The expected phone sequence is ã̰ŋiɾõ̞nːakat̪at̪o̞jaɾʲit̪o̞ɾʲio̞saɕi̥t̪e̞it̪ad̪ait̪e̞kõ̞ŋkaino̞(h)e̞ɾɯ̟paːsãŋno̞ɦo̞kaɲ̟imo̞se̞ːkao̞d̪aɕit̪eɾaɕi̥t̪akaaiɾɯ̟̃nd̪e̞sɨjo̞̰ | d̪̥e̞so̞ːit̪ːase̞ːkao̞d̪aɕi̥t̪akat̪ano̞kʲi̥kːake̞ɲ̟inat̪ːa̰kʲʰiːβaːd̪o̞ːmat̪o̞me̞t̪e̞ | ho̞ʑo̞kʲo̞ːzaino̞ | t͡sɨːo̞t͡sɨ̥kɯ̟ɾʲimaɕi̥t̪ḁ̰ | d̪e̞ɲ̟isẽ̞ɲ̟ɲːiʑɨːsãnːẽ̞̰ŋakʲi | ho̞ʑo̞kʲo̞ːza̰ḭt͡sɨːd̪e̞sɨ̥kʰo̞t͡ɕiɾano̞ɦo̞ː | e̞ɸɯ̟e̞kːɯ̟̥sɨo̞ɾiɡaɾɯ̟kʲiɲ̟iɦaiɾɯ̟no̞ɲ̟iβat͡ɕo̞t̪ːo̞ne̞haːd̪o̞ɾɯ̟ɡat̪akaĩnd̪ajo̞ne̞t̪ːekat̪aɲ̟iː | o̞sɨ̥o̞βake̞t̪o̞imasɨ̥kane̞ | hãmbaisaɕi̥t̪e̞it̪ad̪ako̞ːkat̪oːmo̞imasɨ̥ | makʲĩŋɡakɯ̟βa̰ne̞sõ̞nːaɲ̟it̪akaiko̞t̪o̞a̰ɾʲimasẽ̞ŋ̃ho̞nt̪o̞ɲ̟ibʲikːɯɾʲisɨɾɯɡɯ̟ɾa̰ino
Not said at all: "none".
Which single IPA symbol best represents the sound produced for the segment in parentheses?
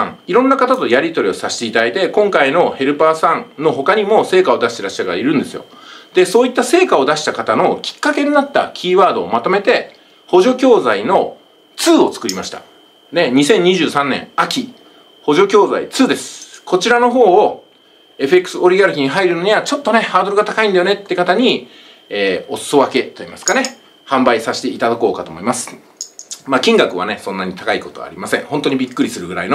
h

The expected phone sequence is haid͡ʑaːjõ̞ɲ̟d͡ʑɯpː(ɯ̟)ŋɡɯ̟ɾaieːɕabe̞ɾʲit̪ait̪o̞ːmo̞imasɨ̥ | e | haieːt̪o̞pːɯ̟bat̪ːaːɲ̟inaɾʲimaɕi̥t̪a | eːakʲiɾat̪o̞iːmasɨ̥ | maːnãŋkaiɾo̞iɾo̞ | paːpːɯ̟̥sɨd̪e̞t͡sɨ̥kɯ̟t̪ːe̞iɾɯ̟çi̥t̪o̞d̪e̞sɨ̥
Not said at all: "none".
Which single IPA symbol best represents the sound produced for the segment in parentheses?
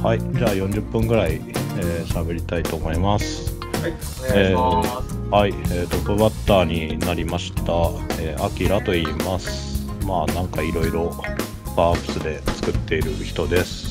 ɯ̟̃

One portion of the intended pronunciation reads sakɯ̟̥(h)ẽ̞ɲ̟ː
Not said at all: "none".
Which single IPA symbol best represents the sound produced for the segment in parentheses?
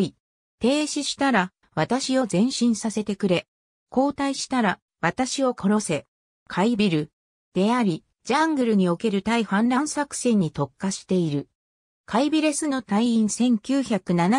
s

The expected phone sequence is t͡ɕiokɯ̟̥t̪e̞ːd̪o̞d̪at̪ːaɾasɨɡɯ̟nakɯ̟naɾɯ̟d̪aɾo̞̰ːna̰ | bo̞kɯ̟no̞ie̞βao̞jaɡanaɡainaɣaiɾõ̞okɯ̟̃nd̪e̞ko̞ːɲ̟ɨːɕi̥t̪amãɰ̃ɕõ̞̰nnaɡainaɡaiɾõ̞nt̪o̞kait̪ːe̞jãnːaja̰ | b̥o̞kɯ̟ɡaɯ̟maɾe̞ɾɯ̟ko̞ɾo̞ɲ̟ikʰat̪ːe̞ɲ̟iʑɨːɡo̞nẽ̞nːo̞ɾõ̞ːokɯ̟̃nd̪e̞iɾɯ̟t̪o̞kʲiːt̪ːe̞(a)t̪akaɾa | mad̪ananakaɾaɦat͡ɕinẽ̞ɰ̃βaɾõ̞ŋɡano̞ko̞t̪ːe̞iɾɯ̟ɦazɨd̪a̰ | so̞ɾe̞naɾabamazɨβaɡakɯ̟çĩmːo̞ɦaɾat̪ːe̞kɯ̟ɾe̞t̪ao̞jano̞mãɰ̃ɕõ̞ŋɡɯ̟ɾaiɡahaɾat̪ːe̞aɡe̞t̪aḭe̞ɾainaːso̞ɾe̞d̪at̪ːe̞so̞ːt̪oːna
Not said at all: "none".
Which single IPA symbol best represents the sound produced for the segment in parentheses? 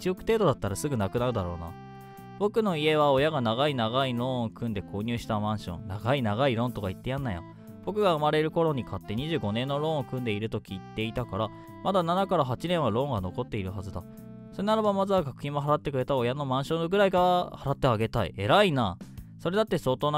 i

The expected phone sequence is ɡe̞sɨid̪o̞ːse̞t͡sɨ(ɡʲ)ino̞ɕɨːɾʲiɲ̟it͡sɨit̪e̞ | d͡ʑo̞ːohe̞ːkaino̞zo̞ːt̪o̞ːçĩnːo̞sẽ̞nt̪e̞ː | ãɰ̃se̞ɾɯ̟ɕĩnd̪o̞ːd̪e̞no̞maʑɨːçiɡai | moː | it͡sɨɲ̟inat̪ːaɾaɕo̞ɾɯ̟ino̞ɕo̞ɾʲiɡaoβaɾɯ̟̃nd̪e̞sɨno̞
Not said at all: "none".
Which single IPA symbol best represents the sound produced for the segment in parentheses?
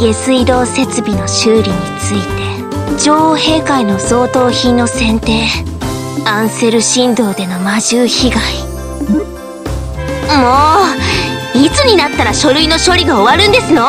bʲ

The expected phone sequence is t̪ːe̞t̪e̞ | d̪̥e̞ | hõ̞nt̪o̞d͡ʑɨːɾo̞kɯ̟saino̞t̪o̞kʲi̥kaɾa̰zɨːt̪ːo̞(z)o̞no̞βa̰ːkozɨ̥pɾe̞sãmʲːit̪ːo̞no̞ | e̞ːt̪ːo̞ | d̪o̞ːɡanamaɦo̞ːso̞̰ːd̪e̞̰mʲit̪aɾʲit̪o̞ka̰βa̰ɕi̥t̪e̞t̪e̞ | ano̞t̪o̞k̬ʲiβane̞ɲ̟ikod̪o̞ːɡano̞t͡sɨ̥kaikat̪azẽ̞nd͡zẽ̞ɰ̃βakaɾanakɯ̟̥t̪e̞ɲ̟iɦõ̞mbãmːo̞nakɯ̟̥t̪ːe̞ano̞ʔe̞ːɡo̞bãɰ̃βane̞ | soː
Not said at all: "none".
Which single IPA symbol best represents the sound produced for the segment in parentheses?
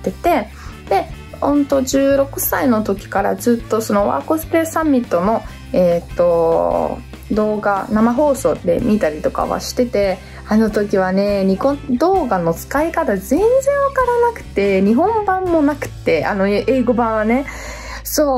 s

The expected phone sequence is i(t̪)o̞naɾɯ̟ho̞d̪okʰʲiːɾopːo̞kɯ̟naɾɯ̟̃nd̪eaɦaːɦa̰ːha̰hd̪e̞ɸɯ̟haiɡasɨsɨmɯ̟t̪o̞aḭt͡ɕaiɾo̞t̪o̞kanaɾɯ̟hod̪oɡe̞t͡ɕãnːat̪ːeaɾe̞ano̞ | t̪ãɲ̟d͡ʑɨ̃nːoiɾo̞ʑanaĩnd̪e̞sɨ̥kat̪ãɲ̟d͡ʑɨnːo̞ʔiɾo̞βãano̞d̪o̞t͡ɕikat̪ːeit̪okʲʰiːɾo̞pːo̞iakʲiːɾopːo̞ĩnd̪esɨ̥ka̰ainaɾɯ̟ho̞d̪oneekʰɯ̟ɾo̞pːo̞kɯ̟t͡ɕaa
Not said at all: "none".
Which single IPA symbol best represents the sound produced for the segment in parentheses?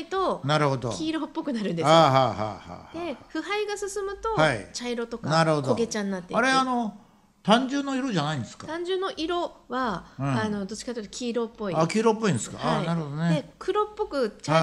t̪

